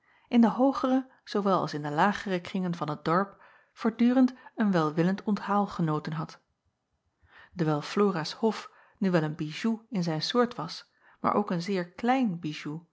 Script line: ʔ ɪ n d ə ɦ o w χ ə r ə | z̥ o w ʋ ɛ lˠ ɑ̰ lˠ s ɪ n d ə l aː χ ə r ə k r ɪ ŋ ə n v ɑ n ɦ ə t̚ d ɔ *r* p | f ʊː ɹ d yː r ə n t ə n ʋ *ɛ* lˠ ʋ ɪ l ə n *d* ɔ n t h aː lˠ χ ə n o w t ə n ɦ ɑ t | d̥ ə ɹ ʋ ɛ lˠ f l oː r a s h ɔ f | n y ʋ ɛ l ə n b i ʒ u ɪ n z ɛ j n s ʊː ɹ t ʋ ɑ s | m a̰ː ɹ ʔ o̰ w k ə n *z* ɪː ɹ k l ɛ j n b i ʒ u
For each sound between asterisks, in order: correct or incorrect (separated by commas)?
incorrect, correct, incorrect, correct